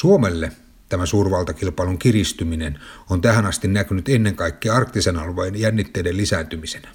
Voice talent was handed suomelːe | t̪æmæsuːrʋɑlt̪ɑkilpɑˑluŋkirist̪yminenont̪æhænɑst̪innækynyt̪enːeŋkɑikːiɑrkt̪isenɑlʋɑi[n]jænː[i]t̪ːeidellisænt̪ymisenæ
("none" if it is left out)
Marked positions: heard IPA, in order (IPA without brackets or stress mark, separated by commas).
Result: n, i